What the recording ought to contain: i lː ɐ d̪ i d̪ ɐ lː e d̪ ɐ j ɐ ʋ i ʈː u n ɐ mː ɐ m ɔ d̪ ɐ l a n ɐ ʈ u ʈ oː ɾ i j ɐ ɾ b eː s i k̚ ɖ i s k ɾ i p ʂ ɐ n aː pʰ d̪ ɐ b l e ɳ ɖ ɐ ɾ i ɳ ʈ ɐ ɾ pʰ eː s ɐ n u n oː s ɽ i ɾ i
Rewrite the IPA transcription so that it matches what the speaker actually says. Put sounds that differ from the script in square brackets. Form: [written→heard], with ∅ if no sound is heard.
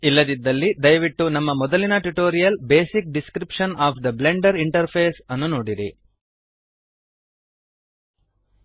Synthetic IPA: i lː ɐ d̪ i [d̪→d̪ː] ɐ lː [e→i] d̪ ɐ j ɐ ʋ i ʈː u n ɐ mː ɐ m ɔ d̪ ɐ l [a→i] n ɐ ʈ u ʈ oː ɾ i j ɐ [ɾ→l] b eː s i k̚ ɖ i s k ɾ i p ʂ ɐ n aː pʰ d̪ ɐ b l e ɳ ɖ ɐ ɾ i ɳ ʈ ɐ ɾ pʰ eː s ɐ [n→nː] u n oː [s→∅] ɽ i ɾ i

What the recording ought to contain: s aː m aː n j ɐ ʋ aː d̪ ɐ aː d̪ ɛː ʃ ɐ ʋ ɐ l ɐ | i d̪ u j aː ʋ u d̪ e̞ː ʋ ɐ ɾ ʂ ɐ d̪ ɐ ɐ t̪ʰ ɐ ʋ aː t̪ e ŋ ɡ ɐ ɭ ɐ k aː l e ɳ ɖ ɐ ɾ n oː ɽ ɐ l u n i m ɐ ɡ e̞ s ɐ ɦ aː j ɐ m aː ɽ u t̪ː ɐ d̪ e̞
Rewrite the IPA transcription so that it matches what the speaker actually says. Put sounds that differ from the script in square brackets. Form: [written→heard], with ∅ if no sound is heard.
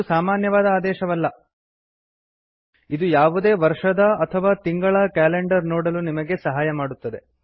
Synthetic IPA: s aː m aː n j ɐ ʋ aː d̪ ɐ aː d̪ ɛː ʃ ɐ ʋ ɐ [l→lː] ɐ | i d̪ u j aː ʋ u d̪ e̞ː ʋ ɐ ɾ ʂ ɐ d̪ ɐ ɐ t̪ʰ ɐ ʋ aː t̪ [e→i] ŋ ɡ ɐ ɭ ɐ k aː l e ɳ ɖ ɐ ɾ n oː ɽ ɐ l u n i m ɐ ɡ e̞ s ɐ ɦ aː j ɐ m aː ɽ u t̪ː ɐ d̪ e̞

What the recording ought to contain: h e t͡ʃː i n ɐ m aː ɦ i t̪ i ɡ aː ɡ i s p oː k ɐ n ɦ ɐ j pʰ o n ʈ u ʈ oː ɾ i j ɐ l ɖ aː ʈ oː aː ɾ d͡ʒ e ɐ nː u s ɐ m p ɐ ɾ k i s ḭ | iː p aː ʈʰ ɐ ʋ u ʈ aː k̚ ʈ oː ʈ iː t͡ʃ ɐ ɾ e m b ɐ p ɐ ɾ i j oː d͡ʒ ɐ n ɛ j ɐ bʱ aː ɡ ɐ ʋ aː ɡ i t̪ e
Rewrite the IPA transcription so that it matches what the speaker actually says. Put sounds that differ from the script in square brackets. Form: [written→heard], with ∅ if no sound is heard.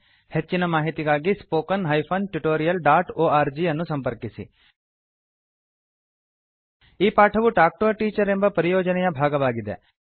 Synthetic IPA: h e t͡ʃː i n ɐ m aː ɦ i t̪ i ɡ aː ɡ i s p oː k ɐ n ɦ ɐ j pʰ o n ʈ u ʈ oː ɾ i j ɐ l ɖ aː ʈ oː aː ɾ d͡ʒ [e→i] ɐ nː u s ɐ m p ɐ ɾ k i s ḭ | iː p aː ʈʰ ɐ ʋ u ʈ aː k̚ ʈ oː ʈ iː t͡ʃ ɐ ɾ e m b ɐ p ɐ ɾ i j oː d͡ʒ ɐ n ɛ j ɐ bʱ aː ɡ ɐ ʋ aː ɡ i [t̪→d̪] e

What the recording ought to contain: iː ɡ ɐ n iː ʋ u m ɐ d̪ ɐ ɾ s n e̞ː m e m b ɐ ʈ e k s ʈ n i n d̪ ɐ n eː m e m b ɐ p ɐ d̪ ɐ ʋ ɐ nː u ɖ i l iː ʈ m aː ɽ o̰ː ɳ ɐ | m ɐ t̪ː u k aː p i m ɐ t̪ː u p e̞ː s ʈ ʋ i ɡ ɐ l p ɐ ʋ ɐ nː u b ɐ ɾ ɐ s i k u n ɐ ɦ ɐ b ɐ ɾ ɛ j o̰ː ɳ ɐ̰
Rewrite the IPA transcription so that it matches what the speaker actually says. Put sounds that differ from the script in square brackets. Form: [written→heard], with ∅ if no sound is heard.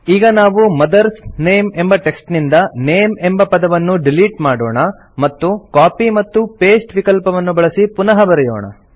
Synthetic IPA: iː ɡ ɐ n [iː→aː] ʋ u m ɐ d̪ ɐ ɾ s n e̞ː m e m b ɐ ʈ e k s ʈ n i n d̪ ɐ n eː m e m b ɐ p ɐ d̪ ɐ ʋ ɐ nː u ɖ i l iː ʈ m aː ɽ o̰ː ɳ ɐ | m ɐ t̪ː u k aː p i m ɐ t̪ː u p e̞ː s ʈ ʋ i [ɡ→k] ɐ l p ɐ ʋ ɐ nː u b ɐ [ɾ→ɭ] ɐ s i [k→p] u n ɐ ɦ ɐ b ɐ ɾ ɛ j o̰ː ɳ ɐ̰

